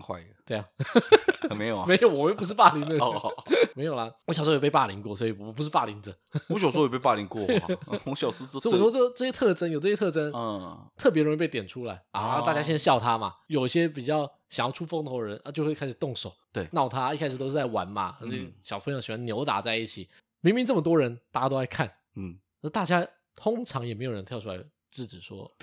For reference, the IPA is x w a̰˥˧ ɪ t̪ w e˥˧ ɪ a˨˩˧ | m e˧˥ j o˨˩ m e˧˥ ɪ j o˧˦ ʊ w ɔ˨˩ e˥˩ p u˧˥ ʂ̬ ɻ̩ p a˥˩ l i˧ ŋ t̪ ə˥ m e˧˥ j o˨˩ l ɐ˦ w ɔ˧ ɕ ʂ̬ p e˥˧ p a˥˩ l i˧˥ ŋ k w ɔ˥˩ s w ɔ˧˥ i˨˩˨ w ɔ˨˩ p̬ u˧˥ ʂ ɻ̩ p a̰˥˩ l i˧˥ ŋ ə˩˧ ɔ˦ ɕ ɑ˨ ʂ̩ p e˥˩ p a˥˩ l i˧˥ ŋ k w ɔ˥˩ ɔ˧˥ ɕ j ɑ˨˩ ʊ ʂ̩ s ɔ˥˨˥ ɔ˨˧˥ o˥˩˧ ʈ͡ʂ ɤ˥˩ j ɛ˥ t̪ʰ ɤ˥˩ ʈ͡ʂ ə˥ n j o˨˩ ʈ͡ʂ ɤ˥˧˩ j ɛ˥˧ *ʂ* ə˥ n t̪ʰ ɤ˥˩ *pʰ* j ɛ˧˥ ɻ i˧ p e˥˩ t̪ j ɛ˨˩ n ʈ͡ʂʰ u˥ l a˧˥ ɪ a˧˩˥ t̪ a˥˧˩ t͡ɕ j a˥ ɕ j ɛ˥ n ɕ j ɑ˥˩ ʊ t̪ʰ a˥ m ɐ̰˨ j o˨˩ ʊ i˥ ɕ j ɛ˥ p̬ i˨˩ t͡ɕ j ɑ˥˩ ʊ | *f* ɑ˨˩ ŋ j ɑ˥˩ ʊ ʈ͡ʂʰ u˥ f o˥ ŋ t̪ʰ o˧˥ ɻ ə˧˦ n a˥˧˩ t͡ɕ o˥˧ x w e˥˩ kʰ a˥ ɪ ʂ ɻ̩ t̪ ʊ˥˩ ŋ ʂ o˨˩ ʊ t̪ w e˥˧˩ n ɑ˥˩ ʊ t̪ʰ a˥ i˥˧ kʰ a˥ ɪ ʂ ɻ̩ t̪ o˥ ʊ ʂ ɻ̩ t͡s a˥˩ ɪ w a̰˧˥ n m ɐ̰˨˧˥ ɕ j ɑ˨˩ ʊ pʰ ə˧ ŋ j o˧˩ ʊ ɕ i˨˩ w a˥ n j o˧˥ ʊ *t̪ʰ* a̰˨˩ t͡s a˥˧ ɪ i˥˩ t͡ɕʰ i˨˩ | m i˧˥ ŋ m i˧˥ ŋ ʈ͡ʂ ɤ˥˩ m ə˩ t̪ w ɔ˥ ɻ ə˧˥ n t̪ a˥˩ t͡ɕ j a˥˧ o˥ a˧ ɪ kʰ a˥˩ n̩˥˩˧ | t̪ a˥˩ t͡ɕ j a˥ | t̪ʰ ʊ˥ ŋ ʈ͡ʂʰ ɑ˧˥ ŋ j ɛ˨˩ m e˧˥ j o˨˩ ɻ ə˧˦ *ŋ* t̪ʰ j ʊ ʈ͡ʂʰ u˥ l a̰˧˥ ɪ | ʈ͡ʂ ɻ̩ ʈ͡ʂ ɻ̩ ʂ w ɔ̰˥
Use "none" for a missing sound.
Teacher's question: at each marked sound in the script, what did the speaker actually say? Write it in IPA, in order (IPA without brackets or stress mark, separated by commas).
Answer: ʈ͡ʂ, p, ɕ, t̪, n